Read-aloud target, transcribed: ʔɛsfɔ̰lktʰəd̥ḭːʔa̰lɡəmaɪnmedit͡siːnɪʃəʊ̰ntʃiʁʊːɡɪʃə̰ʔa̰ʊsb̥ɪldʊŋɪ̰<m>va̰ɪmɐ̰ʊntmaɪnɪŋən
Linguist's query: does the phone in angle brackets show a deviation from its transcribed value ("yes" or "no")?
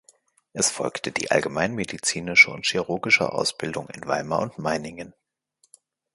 yes